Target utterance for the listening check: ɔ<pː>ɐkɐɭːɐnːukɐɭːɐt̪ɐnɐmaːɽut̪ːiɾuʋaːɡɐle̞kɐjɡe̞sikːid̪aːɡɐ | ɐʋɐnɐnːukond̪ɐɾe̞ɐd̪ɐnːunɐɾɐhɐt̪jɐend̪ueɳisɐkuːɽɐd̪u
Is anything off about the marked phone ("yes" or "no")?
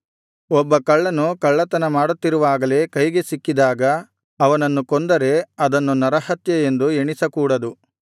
yes